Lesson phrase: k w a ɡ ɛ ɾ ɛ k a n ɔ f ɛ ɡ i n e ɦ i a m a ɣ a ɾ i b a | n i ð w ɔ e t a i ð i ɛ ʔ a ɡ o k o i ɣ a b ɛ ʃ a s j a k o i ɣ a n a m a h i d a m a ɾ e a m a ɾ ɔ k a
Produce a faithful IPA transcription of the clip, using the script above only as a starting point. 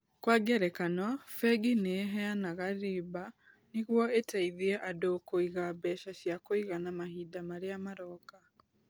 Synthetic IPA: k w a ɡ ɛ ɾ ɛ k a n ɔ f ɛ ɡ i n e ɦ ɛ a n a ɣ a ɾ i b a | n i ɣ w ɔ e t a i ð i ɛ ʔ a d o k o i ɣ a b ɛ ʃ a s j a k o i ɣ a n a m a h i d a m a ɾ e a m a ɾ ɔ k a